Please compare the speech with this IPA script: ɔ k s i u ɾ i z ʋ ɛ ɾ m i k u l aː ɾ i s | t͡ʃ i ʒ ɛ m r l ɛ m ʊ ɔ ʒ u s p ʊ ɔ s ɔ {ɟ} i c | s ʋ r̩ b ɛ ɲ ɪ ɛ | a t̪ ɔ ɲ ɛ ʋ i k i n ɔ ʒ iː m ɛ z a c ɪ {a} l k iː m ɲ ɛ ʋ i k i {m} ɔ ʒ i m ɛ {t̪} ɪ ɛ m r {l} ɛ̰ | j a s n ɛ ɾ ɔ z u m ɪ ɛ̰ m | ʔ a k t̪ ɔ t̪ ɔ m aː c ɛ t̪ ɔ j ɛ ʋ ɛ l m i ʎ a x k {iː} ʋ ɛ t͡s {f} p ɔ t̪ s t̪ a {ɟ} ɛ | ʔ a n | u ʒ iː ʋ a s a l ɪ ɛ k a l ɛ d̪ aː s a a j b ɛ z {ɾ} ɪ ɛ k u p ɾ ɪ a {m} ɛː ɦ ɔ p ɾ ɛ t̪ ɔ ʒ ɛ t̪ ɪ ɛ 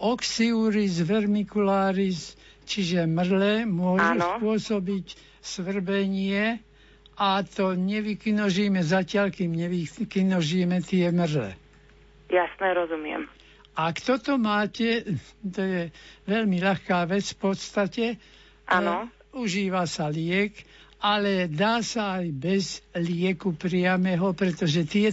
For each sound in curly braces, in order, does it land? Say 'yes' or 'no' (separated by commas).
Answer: no, yes, no, yes, yes, no, yes, no, no, yes